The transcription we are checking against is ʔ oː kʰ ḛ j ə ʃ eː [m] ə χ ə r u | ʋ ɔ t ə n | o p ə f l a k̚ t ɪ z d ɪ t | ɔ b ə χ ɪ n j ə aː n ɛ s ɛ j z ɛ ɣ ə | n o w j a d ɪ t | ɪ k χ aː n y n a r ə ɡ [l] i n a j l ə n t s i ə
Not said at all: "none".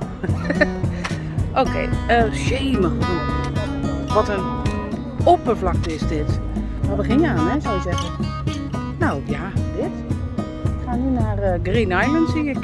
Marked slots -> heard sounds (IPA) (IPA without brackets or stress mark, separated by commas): m, r